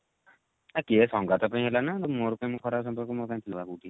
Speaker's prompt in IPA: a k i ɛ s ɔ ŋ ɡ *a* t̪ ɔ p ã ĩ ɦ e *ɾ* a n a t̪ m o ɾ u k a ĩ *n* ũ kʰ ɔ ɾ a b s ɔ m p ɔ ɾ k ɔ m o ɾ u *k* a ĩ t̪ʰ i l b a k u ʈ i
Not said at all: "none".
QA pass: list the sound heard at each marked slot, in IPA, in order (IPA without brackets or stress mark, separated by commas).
a, l, m, k